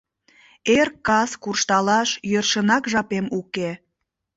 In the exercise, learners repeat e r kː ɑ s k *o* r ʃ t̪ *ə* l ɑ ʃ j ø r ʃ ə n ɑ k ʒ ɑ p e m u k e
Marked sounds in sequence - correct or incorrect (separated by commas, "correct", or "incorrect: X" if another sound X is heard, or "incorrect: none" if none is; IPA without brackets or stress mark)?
incorrect: u, incorrect: ɑ